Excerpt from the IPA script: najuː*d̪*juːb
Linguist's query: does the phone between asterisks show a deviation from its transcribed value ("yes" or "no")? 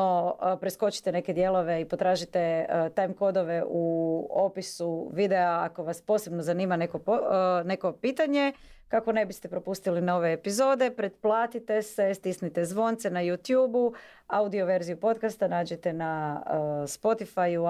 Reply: yes